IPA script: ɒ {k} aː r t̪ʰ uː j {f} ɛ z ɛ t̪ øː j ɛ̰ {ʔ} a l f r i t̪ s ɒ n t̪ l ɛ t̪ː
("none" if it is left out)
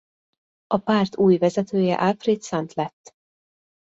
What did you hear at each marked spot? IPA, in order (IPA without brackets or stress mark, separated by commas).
p, v, ʔ